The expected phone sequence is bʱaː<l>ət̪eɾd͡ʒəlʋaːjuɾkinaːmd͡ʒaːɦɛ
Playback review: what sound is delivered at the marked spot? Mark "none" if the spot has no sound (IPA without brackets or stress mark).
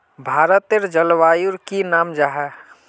ɾ